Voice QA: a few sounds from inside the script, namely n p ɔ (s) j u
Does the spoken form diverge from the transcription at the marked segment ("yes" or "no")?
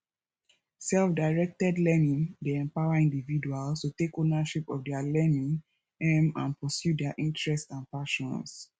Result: no